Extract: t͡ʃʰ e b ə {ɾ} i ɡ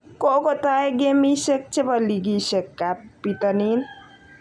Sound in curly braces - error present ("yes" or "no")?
yes